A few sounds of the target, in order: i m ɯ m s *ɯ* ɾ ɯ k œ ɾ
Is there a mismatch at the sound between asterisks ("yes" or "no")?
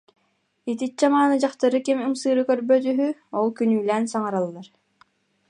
yes